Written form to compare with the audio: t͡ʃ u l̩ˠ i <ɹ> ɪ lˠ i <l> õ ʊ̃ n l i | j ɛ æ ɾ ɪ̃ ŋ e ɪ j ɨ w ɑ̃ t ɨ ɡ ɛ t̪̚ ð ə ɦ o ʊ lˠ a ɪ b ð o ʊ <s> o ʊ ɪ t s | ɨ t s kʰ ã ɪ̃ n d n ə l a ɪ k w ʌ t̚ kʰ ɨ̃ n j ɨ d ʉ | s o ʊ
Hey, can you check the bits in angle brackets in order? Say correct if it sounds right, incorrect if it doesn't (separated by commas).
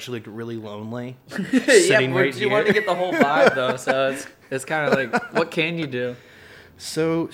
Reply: correct, correct, correct